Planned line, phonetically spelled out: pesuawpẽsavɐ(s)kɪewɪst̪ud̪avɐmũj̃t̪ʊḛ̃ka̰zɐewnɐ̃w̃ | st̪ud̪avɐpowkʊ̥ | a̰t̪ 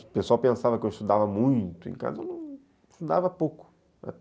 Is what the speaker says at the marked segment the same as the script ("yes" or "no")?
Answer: no